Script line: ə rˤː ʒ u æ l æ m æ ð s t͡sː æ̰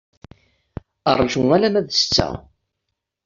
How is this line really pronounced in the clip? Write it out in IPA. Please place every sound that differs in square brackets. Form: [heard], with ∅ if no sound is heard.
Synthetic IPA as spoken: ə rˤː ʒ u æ l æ m æ ð s t͡sː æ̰

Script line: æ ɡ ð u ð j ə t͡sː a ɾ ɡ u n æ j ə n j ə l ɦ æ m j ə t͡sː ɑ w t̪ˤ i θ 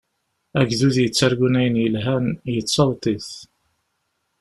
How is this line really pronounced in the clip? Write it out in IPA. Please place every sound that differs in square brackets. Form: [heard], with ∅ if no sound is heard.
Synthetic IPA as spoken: æ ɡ ð u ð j ə t͡sː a ɾ ɡ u n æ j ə n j ə l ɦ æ [n] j ə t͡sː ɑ w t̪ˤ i θ

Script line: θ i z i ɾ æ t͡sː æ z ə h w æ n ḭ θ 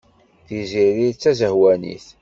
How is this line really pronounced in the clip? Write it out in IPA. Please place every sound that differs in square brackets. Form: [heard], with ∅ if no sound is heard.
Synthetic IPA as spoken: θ i z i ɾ [i] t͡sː æ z ə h w æ n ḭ θ

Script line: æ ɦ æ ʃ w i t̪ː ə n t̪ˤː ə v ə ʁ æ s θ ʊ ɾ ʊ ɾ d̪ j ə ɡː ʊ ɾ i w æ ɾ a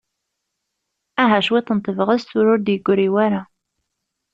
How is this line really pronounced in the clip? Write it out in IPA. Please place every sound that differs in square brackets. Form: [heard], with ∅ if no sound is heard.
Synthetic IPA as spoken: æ ɦ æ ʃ w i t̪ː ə n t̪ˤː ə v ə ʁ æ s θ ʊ ɾ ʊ ɾ d̪ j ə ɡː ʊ ɾ i w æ ɾ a

